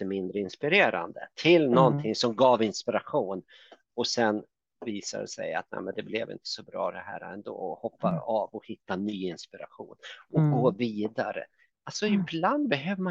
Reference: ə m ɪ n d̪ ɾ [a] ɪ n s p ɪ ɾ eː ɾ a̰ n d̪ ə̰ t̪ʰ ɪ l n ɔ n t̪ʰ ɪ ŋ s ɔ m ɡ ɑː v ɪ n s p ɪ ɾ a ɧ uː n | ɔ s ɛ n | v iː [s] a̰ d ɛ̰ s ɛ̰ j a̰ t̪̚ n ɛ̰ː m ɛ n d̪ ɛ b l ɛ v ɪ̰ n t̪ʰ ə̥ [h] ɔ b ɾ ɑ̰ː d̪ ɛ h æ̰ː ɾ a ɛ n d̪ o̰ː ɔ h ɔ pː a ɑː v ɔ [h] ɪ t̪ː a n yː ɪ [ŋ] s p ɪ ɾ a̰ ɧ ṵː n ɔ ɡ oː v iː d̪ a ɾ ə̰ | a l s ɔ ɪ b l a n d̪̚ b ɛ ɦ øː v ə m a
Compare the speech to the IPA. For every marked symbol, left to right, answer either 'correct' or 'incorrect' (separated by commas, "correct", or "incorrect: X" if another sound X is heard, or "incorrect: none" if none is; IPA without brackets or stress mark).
incorrect: ə, correct, incorrect: s, correct, incorrect: n